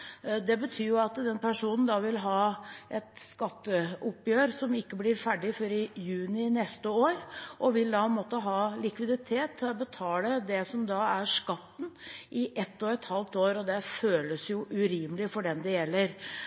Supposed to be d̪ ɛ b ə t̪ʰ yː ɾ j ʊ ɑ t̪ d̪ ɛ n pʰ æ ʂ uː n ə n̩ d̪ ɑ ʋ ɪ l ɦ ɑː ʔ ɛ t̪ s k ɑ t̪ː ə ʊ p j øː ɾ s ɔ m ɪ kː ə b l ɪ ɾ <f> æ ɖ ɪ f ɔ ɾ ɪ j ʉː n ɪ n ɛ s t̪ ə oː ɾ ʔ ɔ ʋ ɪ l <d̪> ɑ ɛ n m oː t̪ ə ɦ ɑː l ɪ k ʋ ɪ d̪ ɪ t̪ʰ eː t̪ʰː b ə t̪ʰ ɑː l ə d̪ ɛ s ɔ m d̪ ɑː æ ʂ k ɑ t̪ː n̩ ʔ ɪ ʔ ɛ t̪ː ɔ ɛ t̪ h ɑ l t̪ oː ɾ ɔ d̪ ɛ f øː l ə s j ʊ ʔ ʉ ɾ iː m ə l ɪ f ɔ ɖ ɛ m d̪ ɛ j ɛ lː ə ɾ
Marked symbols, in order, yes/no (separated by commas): yes, yes